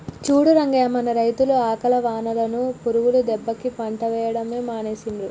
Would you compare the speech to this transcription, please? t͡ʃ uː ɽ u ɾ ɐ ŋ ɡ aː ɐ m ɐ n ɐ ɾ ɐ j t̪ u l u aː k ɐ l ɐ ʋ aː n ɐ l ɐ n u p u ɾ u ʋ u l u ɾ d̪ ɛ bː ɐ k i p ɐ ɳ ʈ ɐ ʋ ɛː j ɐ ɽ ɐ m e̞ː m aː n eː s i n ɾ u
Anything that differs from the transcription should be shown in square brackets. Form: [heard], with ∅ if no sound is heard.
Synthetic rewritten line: t͡ʃ uː ɽ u ɾ ɐ ŋ ɡ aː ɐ m ɐ n ɐ ɾ ɐ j t̪ u l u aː k ɐ l ɐ ʋ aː n ɐ l ɐ n u p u ɾ u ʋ u l u [∅] d̪ ɛ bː ɐ k i p ɐ ɳ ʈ ɐ ʋ ɛː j ɐ ɽ ɐ m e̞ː m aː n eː s i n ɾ u